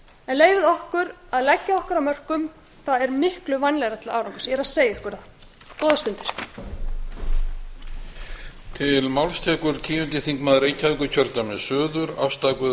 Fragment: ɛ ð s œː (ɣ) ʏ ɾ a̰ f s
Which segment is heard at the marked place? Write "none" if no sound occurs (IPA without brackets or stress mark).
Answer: ð